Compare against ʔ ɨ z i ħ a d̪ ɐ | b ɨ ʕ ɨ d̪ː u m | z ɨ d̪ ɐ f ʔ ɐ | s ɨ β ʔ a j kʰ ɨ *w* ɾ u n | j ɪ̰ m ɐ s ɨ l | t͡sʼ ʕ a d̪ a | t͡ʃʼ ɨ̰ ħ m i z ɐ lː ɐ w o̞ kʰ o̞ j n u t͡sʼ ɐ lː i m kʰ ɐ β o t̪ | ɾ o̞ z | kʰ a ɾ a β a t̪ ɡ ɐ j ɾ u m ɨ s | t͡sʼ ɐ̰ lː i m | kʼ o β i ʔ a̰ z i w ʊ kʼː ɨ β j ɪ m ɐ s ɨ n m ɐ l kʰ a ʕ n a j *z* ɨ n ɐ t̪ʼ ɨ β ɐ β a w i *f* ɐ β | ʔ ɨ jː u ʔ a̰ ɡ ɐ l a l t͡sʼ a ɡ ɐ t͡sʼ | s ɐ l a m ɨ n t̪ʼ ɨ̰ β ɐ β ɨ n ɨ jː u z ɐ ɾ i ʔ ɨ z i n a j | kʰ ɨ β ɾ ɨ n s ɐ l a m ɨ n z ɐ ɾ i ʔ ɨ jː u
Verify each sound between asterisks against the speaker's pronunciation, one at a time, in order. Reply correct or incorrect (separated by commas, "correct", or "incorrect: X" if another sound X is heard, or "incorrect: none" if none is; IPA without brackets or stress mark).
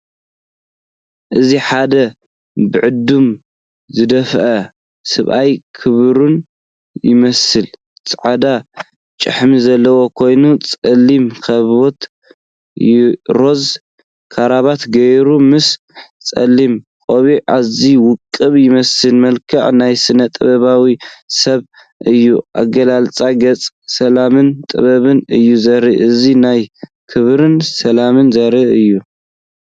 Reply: incorrect: β, incorrect: s, incorrect: s